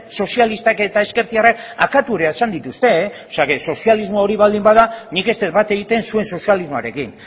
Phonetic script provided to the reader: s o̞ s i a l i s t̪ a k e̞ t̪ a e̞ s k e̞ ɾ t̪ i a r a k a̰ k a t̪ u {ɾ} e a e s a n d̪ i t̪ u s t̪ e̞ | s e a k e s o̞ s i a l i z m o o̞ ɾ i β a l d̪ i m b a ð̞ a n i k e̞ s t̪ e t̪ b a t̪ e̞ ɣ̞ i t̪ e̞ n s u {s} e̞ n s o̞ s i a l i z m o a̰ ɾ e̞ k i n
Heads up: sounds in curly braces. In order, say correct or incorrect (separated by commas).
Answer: correct, incorrect